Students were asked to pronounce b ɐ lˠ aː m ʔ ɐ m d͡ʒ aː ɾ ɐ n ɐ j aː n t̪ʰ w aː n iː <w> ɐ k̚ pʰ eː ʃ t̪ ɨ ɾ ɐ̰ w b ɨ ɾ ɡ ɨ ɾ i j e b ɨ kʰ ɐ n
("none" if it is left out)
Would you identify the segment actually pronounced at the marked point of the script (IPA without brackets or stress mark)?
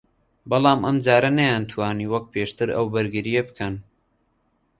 w